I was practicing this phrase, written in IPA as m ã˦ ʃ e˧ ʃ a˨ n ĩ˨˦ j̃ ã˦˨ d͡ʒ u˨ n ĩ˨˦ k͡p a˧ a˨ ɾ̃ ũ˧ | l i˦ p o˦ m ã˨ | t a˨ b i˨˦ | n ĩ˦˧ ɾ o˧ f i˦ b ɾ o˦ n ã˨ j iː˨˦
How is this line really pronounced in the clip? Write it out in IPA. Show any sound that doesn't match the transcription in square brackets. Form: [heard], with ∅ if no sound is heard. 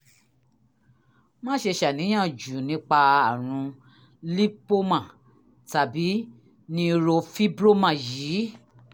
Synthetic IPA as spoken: m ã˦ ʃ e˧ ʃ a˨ n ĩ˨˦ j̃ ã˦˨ d͡ʒ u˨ n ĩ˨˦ k͡p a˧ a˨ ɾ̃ ũ˧ | l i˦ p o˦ m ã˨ | t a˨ b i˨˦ | n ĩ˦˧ ɾ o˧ f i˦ b ɾ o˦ [m] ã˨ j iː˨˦

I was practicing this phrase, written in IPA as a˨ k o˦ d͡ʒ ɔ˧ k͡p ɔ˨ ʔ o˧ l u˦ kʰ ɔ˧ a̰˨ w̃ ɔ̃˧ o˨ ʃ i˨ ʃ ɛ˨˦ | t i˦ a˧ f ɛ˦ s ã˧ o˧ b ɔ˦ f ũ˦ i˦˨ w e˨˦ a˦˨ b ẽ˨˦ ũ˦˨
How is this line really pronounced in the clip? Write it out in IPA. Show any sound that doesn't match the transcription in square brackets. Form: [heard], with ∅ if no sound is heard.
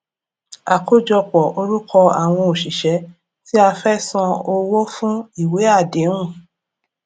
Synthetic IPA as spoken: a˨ k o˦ d͡ʒ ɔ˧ k͡p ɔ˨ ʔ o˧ [ɾ] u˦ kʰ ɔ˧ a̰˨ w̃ ɔ̃˧ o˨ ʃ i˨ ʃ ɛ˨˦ | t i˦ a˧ f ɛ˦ s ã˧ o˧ [w] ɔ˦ f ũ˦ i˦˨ w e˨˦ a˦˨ [d] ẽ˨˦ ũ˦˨

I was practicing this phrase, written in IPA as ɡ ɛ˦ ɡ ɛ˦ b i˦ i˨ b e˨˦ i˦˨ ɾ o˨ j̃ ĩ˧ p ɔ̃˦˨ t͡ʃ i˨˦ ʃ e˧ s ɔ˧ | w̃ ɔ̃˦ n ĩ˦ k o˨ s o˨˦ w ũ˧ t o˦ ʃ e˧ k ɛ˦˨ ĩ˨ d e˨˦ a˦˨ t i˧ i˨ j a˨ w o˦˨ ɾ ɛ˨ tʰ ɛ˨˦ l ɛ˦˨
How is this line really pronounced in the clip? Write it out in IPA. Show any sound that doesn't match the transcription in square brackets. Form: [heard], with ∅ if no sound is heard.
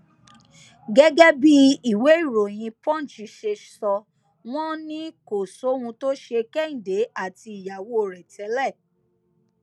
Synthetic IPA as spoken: ɡ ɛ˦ ɡ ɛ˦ b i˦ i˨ [w] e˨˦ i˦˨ ɾ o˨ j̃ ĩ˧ p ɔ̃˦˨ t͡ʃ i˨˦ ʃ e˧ s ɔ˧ | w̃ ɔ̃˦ n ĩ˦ k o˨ s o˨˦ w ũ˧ t o˦ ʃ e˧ k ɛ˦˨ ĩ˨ d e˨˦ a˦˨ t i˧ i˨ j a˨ w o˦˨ ɾ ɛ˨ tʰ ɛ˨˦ l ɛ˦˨

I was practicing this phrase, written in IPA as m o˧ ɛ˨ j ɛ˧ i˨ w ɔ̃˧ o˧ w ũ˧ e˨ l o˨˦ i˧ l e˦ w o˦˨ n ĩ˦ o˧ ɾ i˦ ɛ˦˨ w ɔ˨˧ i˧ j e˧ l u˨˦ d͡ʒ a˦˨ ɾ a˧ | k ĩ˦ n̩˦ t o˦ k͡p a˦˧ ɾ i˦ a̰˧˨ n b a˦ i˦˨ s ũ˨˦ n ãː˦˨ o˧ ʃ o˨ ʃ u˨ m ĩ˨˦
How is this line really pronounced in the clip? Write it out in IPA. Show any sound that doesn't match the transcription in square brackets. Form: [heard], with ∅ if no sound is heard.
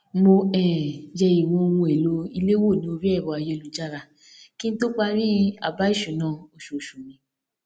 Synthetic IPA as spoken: m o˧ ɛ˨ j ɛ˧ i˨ w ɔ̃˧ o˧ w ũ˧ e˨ l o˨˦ i˧ l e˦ w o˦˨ n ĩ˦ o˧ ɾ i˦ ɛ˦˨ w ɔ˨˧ [a˧] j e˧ l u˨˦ d͡ʒ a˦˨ ɾ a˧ | k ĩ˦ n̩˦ t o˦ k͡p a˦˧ ɾ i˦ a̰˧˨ [∅] b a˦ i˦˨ [ʃ] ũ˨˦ n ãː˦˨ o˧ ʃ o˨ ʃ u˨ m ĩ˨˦

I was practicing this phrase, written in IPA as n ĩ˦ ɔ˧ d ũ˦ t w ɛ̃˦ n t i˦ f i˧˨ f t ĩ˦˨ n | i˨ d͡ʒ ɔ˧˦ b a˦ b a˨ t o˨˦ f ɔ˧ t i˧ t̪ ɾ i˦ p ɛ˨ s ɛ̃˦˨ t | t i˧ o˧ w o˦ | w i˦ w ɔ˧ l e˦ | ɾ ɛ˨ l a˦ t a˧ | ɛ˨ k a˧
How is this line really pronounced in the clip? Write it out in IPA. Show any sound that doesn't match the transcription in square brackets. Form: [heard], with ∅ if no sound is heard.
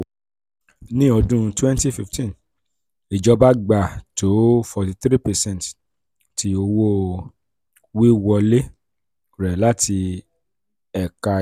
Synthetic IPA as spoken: n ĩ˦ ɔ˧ d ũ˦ t w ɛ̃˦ n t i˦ f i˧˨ f t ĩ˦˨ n | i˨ d͡ʒ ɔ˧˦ b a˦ [ɡ͡b] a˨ t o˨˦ f ɔ˧ t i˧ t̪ ɾ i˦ p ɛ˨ s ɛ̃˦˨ t | t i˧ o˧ w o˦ | w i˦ w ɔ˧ l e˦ | ɾ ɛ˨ l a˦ t [i˧] | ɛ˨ k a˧

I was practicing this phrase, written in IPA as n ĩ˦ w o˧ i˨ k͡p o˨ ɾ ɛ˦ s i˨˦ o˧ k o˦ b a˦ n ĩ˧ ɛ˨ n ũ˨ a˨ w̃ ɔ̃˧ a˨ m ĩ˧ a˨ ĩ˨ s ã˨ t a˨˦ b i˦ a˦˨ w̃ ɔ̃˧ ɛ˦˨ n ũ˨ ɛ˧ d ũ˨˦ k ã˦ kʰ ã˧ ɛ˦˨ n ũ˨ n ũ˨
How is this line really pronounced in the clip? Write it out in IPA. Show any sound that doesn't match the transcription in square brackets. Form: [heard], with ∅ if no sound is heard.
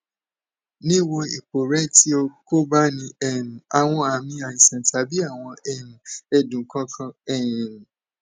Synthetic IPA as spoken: n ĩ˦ w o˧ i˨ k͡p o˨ ɾ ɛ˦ [t] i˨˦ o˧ k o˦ b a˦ n ĩ˧ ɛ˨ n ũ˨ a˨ w̃ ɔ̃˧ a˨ m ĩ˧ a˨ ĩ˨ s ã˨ t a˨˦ b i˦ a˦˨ w̃ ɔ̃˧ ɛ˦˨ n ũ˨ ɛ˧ d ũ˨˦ k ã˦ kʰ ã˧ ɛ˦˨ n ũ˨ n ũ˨

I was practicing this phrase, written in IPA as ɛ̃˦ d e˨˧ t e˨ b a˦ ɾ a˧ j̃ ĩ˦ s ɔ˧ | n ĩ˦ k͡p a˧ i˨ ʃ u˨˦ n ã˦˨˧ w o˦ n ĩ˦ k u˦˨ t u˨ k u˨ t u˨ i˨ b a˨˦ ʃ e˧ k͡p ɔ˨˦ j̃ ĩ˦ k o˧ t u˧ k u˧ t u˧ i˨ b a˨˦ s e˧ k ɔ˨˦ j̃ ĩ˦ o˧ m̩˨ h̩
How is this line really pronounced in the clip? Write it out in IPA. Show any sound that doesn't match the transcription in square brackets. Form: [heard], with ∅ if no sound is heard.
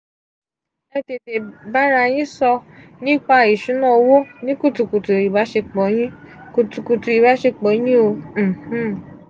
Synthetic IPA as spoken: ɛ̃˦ [t] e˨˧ t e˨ b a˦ ɾ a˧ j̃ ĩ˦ s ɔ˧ | n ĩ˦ k͡p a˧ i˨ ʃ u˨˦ n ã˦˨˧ w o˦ n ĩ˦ k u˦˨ t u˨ k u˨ t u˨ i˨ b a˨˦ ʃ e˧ k͡p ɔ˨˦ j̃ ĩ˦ k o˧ t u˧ k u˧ t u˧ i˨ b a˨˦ [ʃ] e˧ [k͡p] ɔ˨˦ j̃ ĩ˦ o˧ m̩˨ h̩

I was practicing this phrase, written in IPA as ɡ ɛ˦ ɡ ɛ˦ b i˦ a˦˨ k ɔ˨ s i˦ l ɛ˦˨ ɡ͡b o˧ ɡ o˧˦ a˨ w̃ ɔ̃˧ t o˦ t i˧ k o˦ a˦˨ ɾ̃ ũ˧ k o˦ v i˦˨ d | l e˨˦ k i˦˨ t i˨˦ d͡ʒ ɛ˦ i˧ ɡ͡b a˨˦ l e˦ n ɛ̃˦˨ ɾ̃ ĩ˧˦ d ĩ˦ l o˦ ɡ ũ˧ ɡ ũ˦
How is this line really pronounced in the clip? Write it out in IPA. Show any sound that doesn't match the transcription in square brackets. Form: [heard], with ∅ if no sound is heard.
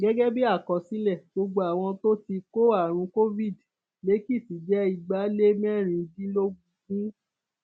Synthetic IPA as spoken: ɡ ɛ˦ ɡ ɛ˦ b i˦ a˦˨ k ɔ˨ s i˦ l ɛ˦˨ ɡ͡b o˧ [ɡ͡b] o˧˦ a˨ w̃ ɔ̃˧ t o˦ t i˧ k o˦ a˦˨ ɾ̃ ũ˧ k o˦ v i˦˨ d | l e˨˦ k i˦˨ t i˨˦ d͡ʒ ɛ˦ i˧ ɡ͡b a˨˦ l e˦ [m] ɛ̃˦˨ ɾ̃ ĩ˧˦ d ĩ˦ l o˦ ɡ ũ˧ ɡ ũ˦

